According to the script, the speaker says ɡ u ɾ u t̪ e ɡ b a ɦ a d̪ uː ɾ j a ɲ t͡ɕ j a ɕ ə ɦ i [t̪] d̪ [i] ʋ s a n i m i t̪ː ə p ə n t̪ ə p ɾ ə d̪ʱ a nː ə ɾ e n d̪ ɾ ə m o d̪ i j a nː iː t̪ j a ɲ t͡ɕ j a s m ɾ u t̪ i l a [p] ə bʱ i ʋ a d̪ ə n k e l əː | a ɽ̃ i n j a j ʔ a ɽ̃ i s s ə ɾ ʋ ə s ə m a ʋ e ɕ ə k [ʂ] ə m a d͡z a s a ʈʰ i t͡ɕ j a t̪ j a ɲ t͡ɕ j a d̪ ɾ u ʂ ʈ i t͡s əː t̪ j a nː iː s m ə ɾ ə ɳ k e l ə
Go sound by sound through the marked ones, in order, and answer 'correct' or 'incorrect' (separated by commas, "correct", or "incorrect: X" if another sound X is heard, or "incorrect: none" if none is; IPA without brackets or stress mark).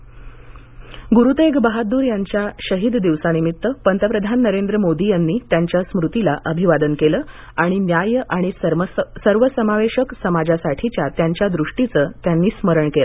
incorrect: d̪, correct, incorrect: ʔ, incorrect: s